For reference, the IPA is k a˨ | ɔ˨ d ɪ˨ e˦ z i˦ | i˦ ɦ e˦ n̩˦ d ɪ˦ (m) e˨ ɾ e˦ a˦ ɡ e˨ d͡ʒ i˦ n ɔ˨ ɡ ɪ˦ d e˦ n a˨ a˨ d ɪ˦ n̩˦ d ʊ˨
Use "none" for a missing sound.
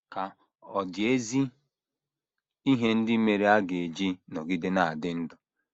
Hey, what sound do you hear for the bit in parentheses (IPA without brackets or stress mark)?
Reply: m